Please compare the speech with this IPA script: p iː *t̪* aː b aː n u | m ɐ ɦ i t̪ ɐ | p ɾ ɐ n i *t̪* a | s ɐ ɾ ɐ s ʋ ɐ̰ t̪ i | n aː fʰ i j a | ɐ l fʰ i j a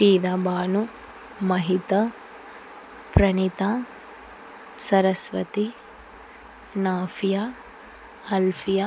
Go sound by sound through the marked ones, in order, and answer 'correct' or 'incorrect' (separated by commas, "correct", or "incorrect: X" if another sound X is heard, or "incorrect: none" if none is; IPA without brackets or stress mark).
incorrect: d̪, correct